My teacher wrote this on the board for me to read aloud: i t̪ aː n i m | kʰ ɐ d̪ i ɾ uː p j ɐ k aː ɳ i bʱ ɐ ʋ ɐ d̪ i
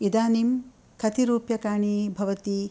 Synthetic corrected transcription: i d̪ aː n i m | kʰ ɐ t̪ i ɾ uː p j ɐ k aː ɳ i bʱ ɐ ʋ ɐ t̪ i